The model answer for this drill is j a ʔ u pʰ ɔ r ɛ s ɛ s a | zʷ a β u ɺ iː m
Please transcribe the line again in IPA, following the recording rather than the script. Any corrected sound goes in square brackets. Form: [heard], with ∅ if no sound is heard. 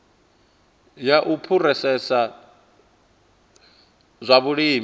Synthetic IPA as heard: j a ʔ u pʰ [u] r ɛ s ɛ s a | zʷ a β u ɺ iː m